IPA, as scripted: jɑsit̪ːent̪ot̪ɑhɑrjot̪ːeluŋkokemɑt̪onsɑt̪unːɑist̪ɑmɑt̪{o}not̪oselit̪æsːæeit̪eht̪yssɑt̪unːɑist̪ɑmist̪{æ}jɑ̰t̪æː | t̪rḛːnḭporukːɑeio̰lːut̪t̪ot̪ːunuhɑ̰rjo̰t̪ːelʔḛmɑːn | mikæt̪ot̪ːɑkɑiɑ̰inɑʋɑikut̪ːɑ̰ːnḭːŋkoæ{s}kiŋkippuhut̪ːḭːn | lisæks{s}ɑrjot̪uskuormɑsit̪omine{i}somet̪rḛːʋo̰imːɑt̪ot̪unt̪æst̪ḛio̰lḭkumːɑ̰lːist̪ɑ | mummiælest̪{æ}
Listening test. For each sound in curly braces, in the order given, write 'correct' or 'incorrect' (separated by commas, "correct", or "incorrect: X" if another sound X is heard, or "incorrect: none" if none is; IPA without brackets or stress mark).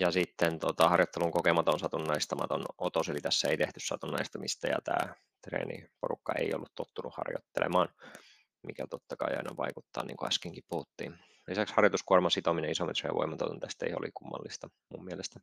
correct, correct, correct, incorrect: h, correct, correct